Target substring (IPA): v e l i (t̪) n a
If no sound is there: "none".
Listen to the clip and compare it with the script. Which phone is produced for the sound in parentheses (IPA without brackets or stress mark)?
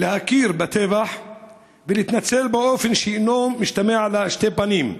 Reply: t̪